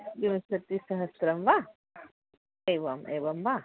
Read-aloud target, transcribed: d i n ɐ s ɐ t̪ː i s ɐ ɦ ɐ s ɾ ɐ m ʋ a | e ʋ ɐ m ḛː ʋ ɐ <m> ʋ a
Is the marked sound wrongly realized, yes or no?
no